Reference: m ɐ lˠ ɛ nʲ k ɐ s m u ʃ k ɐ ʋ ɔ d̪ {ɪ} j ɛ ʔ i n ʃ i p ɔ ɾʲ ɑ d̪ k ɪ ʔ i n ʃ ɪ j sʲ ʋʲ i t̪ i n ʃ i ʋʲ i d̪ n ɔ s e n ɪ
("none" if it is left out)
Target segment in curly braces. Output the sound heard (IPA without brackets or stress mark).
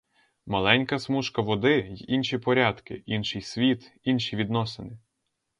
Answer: ɪ